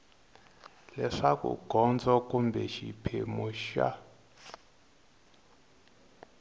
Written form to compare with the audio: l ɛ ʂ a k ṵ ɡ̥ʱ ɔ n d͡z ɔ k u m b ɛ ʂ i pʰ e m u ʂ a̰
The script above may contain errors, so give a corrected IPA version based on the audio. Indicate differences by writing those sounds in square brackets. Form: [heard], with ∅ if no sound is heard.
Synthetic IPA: l ɛ ʂ a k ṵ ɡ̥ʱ ɔ n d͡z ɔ k u m b ɛ [ʃ] i pʰ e m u [ʃ] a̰